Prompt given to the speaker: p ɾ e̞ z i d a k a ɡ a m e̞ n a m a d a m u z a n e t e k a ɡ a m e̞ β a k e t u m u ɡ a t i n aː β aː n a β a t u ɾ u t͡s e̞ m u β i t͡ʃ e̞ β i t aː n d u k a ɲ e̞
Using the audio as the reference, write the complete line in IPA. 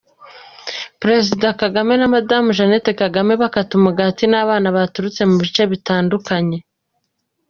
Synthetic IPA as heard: p ɾ e̞ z i d a k a ɡ a m e̞ n a m a d a m u ʒ a n e t e k a ɡ a m e̞ β a k a t u m u ɡ a t i n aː β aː n a β a t u ɾ u t͡s e̞ m u β i t͡ʃ e̞ β i t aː n d u k a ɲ e̞